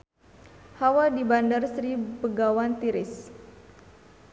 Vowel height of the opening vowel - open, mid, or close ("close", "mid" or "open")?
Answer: open